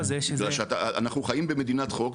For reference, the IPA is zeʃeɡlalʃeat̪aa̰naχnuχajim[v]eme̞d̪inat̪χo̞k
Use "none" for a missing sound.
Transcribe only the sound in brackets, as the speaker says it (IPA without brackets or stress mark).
b